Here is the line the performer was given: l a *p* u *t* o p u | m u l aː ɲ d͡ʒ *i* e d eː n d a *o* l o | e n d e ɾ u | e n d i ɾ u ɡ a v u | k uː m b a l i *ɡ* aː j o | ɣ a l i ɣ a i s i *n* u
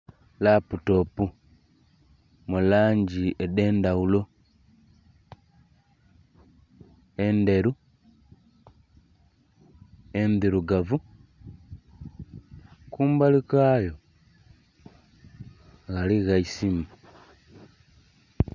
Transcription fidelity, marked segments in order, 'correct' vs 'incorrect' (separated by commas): correct, correct, correct, incorrect, incorrect, incorrect